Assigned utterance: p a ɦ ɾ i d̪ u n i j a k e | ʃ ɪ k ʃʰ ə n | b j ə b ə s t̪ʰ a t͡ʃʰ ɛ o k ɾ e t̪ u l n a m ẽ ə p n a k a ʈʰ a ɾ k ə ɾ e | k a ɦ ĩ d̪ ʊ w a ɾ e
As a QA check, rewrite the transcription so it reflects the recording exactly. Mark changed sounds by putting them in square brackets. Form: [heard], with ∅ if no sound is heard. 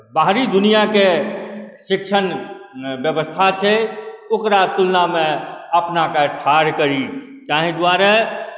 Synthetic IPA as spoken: [b] a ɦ ɾ i d̪ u n i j a k e | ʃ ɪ k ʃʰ ə n | b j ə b ə s t̪ʰ a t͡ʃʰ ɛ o k ɾ [a] t̪ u l n a m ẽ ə p n a k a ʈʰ a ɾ k ə ɾ [i] | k a ɦ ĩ d̪ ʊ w a ɾ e